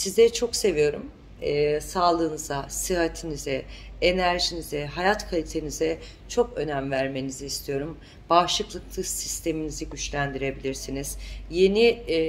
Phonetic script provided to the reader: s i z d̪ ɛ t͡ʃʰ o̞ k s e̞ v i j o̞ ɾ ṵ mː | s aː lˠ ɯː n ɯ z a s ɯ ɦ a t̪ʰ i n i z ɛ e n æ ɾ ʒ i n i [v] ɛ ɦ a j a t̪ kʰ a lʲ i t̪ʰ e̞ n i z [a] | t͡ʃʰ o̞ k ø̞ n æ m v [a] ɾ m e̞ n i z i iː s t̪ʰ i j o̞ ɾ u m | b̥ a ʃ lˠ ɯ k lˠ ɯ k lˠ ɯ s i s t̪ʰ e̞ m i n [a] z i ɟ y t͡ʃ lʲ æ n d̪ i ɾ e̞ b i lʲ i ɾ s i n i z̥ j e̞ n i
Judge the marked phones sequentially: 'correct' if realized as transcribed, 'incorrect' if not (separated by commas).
incorrect, incorrect, incorrect, incorrect